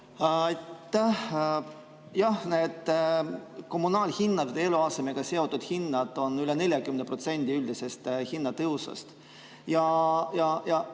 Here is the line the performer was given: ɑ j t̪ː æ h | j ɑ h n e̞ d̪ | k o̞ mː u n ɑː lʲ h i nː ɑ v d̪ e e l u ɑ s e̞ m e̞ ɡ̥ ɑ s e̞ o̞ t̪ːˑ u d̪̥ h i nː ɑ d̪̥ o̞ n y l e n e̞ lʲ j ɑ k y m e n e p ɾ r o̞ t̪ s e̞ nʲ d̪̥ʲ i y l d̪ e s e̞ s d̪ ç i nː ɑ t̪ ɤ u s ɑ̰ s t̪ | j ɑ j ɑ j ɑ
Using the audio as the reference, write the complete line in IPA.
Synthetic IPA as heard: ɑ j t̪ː æ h | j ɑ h n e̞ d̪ | k o̞ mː u n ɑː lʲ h i nː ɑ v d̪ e e l u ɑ s e̞ m e̞ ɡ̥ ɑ s e̞ o̞ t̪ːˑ u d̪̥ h i nː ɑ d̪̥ o̞ n y l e n e̞ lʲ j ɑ k y m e n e p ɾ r o̞ t̪ s e̞ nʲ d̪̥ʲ i y l d̪ i s e̞ s t̪ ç i nː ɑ t̪ ɤ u s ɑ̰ s t̪ | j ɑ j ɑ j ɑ

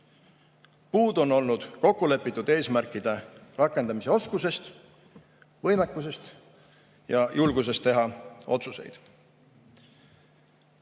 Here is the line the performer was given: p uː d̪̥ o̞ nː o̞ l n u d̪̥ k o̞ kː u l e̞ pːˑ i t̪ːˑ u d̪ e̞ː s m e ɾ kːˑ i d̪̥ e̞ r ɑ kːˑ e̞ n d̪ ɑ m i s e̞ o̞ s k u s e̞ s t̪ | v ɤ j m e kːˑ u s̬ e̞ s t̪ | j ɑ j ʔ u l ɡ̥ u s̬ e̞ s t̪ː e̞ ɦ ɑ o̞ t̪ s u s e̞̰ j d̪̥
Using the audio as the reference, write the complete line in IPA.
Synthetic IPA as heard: p uː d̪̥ o̞ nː o̞ l n u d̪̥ k o̞ kː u l e̞ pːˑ i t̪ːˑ u d̪ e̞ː s m æ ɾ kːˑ i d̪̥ e̞ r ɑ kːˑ e̞ n d̪ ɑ m i s e̞ o̞ s k u s e̞ s t̪ | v ɤ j m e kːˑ u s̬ e̞ s t̪ | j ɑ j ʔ u l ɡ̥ u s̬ e̞ s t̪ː e̞ ɦ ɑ o̞ t̪ s u s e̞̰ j d̪̥

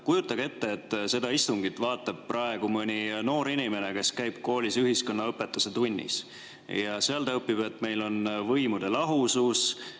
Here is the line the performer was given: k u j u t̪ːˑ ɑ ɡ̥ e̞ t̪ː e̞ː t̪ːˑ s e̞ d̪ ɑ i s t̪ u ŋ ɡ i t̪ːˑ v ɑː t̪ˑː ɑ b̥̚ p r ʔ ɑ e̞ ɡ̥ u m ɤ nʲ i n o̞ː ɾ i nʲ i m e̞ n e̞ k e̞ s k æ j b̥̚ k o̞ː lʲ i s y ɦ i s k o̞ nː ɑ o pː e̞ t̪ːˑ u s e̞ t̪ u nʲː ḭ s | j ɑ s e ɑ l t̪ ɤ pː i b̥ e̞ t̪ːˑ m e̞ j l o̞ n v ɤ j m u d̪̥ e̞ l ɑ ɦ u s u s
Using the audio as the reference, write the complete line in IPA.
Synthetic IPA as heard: k u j u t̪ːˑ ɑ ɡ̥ e̞ t̪ː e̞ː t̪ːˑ s e̞ d̪ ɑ i s t̪ u ŋ ɡ i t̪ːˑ v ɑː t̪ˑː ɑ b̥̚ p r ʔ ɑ e̞ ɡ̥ u m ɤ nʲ i n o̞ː ɾ i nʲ i m e̞ n e̞ k e̞ s k æ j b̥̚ k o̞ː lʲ i s y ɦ i s k o̞ nː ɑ ɤ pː e̞ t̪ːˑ u s e̞ t̪ u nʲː ḭ s | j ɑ s e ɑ l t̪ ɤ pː i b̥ e̞ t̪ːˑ m e̞ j l o̞ n v ɤ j m u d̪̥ e̞ l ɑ ɦ u s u s

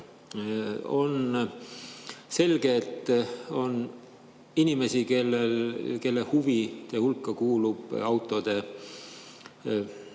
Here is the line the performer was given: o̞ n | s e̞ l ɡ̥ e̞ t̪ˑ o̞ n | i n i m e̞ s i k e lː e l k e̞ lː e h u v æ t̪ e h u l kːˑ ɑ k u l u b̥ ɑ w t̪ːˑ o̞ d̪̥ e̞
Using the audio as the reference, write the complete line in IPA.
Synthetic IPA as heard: o̞ n | s e̞ l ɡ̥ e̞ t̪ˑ o̞ n | i n i m e̞ s i k e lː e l k e̞ lː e h u v i t̪ e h u l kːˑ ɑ k uː l u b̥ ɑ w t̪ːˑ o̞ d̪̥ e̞

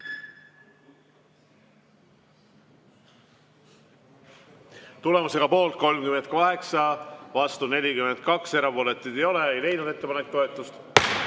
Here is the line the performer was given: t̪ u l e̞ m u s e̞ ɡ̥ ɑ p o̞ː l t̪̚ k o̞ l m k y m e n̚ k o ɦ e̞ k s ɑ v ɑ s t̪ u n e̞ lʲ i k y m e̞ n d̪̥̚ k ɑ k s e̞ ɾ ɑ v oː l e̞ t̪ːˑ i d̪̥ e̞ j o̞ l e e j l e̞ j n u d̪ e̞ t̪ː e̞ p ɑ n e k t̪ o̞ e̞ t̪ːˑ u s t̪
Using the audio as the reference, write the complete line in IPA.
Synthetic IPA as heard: t̪ u l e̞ m u s e̞ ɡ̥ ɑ p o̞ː l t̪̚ k o̞ l m k y m e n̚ k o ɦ e̞ k s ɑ v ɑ s t̪ u n e̞ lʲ i k y m e̞ n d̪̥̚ k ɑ k s e̞ ɾ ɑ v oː l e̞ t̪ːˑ i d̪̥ e̞ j o̞ l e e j l e̞ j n u d̪ e̞ t̪ː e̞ p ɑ n e k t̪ o̞ e̞ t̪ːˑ u s t̪

